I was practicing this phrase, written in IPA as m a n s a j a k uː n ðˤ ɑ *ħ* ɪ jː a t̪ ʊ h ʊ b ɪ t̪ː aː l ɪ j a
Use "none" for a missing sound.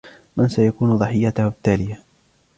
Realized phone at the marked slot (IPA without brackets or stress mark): ħ